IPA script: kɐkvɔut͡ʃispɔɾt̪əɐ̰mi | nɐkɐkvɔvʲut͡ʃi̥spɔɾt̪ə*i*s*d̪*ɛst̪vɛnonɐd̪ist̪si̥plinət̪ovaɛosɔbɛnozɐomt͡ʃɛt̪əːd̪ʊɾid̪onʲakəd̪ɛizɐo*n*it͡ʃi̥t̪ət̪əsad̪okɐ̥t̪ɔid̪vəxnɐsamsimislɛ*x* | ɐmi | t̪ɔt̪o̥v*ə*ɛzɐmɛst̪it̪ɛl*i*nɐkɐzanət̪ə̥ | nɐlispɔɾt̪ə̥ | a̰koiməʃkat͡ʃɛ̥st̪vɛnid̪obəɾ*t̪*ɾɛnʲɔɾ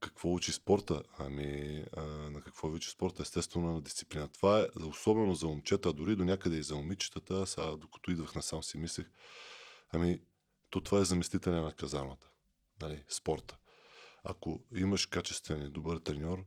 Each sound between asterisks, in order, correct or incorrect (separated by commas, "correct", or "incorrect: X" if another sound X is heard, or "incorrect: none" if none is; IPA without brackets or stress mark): incorrect: ɛ, incorrect: t̪, incorrect: m, correct, incorrect: a, incorrect: ɛ, correct